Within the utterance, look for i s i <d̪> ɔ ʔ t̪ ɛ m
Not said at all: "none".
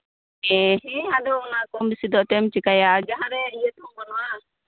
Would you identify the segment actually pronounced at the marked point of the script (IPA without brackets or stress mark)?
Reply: d̪